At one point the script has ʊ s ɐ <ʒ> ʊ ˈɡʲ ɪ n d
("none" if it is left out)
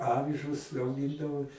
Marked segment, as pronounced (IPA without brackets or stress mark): none